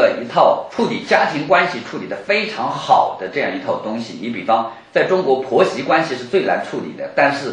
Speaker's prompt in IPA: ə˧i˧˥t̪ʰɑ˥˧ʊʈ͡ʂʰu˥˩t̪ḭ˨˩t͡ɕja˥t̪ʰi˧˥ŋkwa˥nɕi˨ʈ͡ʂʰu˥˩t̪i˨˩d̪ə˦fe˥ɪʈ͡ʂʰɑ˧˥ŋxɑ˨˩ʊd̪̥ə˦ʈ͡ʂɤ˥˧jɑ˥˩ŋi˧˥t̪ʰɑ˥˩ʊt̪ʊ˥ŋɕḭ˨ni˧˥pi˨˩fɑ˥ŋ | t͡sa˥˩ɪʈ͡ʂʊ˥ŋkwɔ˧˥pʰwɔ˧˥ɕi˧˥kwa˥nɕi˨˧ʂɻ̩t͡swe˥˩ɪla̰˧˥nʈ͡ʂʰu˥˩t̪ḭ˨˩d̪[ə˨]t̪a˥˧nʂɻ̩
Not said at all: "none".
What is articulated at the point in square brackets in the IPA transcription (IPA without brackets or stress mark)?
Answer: ə˦